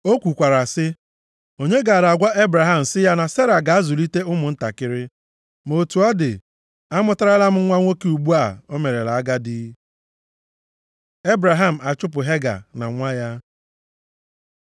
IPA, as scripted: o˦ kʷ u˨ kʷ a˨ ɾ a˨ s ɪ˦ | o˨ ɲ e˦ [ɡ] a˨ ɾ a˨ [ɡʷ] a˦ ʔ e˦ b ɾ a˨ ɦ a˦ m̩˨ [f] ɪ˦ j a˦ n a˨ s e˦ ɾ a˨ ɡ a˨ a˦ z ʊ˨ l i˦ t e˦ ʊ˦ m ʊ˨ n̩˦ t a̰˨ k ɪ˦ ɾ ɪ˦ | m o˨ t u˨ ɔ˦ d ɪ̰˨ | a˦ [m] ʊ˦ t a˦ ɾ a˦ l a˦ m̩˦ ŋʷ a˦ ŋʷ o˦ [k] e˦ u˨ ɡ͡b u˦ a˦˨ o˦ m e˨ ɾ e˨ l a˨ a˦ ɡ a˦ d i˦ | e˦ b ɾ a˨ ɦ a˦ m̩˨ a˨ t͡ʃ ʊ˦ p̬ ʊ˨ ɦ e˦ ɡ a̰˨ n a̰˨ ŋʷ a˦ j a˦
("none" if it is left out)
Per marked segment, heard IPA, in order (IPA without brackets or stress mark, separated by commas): ɡ, ɡʷ, s, m, k